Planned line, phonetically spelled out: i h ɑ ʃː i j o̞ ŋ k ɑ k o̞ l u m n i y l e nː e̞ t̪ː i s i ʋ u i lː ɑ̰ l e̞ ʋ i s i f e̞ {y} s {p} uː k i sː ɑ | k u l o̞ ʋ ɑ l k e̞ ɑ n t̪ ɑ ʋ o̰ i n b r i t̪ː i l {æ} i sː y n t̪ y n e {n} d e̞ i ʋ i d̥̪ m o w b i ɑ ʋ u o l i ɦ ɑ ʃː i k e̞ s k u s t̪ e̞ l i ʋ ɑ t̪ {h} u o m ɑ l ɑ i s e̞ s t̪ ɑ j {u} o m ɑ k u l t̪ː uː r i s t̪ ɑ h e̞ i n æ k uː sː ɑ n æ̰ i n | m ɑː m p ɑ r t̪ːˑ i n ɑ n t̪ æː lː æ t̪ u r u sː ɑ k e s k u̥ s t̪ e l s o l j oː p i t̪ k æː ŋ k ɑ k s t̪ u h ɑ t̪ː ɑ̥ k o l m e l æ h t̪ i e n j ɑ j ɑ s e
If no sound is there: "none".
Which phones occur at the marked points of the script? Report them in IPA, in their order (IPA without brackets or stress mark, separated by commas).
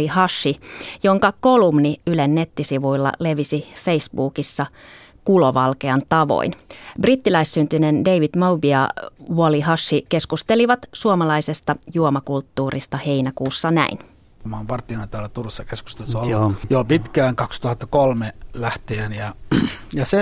i, b, æ, n, s, u